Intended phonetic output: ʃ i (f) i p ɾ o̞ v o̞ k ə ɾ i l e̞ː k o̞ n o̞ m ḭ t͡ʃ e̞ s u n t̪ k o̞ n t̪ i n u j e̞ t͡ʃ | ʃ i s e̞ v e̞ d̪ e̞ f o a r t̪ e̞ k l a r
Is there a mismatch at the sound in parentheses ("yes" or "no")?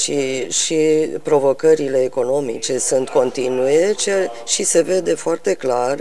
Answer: yes